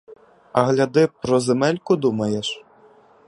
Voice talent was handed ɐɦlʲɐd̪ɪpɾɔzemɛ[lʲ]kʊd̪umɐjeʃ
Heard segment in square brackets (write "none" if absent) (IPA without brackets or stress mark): lʲ